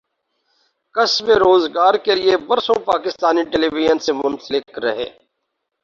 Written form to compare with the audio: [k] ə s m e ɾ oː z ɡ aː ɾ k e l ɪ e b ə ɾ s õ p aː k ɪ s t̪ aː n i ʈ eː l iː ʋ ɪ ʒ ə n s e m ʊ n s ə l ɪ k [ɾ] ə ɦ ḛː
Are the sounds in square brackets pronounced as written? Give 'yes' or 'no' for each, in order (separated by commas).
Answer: yes, yes